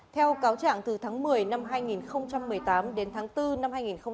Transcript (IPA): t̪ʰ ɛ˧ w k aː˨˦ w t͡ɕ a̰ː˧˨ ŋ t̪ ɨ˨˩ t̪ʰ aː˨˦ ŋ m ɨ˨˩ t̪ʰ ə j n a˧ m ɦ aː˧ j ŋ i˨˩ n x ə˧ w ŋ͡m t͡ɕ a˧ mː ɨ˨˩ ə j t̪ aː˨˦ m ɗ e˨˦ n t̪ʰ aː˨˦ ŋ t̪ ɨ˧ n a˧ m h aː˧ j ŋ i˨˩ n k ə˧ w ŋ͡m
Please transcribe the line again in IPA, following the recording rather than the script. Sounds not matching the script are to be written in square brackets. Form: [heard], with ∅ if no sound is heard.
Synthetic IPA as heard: t̪ʰ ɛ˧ w k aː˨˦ w t͡ɕ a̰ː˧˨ ŋ t̪ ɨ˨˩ t̪ʰ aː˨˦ ŋ m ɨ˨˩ [∅] ə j n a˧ m ɦ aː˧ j ŋ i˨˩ n x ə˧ w ŋ͡m t͡ɕ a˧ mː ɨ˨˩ ə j t̪ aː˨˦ m ɗ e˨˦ n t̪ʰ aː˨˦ ŋ t̪ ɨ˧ n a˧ m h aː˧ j ŋ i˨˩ n [x] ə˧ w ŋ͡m